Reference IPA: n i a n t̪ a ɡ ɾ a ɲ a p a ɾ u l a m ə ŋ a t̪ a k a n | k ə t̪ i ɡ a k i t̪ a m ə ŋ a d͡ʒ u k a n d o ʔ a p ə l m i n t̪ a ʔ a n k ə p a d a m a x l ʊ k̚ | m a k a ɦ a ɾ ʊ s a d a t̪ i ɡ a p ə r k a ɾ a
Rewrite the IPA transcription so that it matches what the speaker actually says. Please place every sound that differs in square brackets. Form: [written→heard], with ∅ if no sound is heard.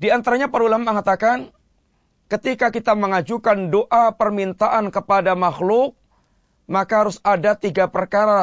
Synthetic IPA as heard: [n→d] i a n t̪ a [ɡ→∅] ɾ a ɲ a p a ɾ u l a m ə ŋ a t̪ a k a n | k ə t̪ i [ɡ→k] a k i t̪ a m ə ŋ a d͡ʒ u k a n d o ʔ a p ə [l→r] m i n t̪ a ʔ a n k ə p a d a m a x l ʊ k̚ | m a k a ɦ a ɾ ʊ s a d a t̪ i ɡ a p ə r k a ɾ a